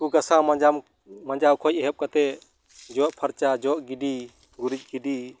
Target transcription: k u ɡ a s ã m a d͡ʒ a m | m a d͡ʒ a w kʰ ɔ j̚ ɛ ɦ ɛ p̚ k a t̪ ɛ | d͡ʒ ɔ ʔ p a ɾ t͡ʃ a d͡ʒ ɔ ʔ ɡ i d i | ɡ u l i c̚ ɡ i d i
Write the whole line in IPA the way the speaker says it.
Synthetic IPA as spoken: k u ɡ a s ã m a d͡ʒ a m | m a d͡ʒ a w kʰ ɔ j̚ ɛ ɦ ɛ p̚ k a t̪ ɛ | d͡ʒ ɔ ʔ pʰ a ɾ t͡ʃ a d͡ʒ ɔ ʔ ɡ i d i | ɡ u ɾ i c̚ ɡ i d i